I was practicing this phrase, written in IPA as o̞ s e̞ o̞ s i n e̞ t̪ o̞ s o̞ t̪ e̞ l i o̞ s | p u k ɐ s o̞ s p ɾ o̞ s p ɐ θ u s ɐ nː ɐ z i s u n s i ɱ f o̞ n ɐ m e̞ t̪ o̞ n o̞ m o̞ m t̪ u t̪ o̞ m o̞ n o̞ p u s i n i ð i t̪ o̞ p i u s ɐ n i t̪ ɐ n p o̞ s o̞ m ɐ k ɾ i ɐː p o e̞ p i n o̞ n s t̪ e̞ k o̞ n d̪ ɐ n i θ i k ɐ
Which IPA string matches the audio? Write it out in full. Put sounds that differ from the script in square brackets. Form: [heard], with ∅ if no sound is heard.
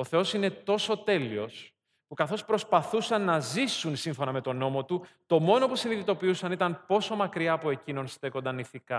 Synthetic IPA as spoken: o̞ [θ] e̞ o̞ s i n e̞ t̪ o̞ s o̞ t̪ e̞ l i o̞ s | p u k ɐ [θ] o̞ s p ɾ o̞ s p ɐ θ u s ɐ nː ɐ z i s u n s i ɱ f o̞ n ɐ m e̞ t̪ o̞ n o̞ m o̞ [∅] t̪ u t̪ o̞ m o̞ n o̞ p u s i n i ð i t̪ o̞ p i u s ɐ n i t̪ ɐ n p o̞ s o̞ m ɐ k ɾ i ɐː p o e̞ [c] i n o̞ n s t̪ e̞ k o̞ n d̪ ɐ n i θ i k ɐ